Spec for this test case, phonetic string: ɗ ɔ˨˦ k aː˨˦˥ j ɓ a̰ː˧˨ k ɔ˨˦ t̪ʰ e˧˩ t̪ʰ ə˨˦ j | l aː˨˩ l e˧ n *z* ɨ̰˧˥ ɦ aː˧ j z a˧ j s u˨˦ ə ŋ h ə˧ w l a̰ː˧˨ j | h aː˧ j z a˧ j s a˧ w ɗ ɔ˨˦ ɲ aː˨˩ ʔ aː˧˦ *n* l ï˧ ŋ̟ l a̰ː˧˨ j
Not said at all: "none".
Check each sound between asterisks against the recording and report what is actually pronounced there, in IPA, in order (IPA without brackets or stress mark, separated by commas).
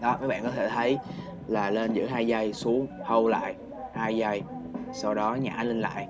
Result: z, n